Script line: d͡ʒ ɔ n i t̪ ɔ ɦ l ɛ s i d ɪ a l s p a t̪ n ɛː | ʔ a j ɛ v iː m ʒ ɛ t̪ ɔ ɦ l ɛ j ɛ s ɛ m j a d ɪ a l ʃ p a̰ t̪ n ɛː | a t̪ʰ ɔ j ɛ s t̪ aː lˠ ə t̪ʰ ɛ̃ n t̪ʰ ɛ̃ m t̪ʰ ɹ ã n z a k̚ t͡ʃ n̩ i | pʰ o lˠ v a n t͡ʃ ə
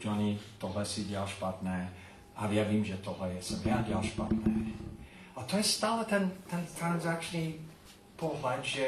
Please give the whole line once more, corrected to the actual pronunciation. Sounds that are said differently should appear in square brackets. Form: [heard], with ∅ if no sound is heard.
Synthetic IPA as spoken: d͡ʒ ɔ n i t̪ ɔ ɦ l ɛ s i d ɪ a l [ʃ] p a t̪ n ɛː | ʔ a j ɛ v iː m ʒ ɛ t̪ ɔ ɦ l ɛ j ɛ s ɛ m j a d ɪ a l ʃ p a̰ t̪ n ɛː | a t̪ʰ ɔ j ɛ s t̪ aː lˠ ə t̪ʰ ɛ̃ n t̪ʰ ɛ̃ [n] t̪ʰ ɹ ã n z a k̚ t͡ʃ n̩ i | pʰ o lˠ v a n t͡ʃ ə